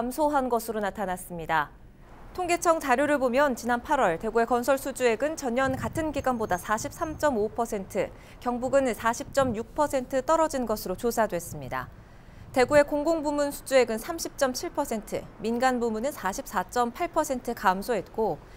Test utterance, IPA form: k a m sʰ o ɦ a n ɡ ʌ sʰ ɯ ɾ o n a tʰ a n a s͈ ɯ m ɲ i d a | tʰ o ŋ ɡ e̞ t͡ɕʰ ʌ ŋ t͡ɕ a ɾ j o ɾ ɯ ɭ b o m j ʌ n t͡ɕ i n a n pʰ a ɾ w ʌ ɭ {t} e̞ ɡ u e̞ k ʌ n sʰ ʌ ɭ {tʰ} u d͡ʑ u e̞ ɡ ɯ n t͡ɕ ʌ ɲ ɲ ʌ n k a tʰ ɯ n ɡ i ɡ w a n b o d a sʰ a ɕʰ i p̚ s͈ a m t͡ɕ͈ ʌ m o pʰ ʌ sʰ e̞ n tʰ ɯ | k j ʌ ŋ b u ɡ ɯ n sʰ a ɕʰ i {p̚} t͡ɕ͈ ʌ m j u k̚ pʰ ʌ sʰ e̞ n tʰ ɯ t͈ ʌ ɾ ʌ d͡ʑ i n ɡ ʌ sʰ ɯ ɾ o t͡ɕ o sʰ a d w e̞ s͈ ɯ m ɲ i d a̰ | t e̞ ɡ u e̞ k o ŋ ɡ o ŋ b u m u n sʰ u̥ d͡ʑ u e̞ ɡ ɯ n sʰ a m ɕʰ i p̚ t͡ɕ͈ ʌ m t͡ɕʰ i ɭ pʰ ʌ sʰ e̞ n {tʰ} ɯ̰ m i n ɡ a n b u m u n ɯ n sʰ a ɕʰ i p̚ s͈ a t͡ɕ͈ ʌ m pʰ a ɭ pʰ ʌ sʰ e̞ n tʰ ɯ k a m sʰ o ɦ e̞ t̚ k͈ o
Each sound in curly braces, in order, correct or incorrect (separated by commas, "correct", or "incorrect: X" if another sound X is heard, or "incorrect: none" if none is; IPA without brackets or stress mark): correct, incorrect: sʰ, correct, correct